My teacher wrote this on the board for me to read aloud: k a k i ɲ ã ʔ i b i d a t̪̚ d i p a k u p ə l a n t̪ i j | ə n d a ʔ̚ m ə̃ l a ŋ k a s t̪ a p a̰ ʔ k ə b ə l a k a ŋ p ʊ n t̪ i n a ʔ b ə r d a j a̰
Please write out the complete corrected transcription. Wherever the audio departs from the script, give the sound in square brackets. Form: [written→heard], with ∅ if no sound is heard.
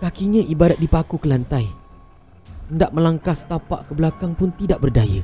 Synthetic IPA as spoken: k a k i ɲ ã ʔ i b [i→a] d a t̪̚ d i p a k u [p→k] ə l a n t̪ [i→a] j | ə n d a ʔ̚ m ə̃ l a ŋ k a s t̪ a p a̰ ʔ k ə b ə l a k a ŋ p ʊ n t̪ i [n→d] a ʔ b ə r d a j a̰